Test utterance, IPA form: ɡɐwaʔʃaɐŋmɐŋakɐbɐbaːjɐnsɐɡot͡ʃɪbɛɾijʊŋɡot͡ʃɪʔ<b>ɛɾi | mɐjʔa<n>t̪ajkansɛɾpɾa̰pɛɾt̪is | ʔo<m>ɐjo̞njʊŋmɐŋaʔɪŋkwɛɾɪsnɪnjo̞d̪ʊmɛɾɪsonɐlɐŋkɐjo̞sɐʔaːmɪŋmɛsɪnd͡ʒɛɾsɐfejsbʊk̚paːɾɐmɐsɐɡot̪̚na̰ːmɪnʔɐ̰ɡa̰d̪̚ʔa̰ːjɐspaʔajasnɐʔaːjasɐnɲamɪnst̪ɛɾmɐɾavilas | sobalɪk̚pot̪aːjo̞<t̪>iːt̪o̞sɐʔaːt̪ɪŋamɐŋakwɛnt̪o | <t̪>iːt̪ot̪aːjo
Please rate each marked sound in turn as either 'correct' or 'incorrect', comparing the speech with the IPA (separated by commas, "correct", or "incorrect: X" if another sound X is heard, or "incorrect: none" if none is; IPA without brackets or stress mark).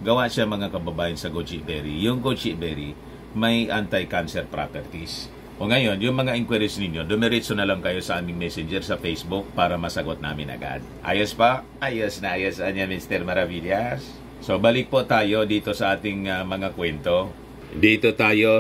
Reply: correct, correct, incorrect: ŋ, incorrect: d̪, incorrect: d̪